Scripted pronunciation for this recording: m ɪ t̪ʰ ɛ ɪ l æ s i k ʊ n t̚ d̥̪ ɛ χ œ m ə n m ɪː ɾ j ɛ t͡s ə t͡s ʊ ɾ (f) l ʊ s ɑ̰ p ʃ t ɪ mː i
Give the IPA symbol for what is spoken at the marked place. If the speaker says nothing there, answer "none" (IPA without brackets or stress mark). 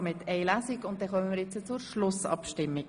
ʃ